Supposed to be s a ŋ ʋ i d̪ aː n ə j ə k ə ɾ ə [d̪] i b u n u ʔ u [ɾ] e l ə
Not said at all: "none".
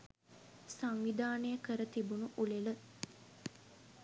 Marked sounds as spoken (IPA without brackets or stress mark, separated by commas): t̪, l